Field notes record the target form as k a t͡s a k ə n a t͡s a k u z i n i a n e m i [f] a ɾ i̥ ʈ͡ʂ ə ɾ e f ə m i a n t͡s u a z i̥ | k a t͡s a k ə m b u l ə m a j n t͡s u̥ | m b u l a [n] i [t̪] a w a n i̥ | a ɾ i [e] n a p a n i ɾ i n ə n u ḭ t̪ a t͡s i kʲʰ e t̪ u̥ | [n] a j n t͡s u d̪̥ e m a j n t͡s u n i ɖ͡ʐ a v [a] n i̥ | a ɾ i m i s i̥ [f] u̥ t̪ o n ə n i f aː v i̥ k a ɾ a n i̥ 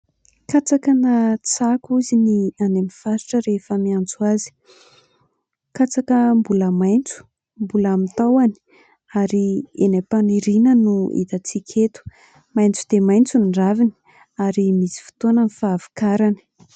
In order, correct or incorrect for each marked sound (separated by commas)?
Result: correct, incorrect, correct, correct, incorrect, incorrect, correct